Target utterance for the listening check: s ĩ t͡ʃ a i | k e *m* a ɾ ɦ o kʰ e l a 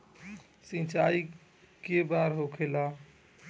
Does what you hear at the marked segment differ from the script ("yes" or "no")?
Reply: yes